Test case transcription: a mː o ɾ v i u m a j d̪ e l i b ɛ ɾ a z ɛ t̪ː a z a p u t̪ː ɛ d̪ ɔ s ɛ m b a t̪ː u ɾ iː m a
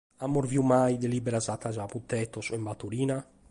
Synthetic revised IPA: a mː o ɾ v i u m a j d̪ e l i b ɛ ɾ a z a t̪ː a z a p u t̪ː ɛ t̪ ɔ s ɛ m b a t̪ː u ɾ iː n a